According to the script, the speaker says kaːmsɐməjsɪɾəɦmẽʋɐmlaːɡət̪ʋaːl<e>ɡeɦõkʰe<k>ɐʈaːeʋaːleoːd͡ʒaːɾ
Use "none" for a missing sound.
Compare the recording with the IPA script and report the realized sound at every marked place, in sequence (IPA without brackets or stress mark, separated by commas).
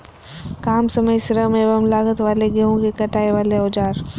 e, k